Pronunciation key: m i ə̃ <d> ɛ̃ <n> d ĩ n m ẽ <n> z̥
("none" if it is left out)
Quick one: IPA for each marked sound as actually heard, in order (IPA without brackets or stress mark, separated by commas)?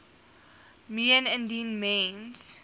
n, n, n